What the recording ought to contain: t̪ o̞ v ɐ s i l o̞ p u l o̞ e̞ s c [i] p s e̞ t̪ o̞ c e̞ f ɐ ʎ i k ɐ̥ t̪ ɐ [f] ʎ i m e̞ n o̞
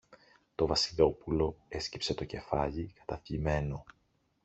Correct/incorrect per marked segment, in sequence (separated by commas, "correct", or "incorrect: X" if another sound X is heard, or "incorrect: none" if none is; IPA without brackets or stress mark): correct, correct